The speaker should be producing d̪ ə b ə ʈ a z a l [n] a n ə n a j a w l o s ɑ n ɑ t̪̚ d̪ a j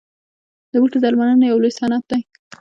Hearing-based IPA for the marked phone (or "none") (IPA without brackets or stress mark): m